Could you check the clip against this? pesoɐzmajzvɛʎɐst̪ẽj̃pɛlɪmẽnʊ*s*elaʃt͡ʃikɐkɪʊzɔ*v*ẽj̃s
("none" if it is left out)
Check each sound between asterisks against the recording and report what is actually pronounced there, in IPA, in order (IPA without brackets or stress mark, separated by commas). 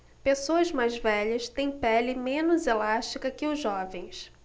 z, v